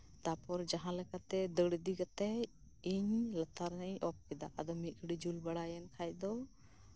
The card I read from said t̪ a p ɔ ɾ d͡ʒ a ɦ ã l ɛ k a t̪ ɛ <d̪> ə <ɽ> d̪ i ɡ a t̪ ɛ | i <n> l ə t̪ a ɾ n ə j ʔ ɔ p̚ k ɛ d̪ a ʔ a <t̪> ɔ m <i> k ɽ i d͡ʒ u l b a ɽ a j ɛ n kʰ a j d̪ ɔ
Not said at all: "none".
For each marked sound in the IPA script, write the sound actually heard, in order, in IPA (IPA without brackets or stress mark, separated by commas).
d̪, ɽ, ɲ, d̪, i